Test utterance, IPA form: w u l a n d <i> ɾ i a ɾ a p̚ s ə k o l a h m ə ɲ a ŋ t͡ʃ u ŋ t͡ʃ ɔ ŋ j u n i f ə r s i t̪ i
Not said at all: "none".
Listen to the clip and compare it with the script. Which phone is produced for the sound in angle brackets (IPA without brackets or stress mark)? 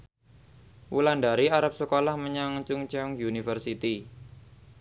a